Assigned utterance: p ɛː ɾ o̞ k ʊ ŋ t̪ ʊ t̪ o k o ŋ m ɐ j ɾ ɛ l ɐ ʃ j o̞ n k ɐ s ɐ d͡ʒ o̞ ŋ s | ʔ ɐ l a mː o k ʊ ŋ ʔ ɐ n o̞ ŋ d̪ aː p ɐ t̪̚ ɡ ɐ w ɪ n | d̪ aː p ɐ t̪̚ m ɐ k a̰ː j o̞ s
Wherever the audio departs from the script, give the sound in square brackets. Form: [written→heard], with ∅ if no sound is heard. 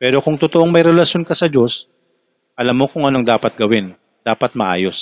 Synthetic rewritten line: p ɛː ɾ o̞ k ʊ ŋ t̪ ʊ t̪ o [k→ʔ] o ŋ m ɐ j ɾ ɛ l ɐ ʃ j o̞ n k ɐ s ɐ d͡ʒ o̞ [ŋ→∅] s | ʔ ɐ l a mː o k ʊ ŋ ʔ ɐ n o̞ ŋ d̪ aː p ɐ t̪̚ ɡ ɐ w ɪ n | d̪ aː p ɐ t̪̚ m ɐ [k→ʔ] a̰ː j o̞ s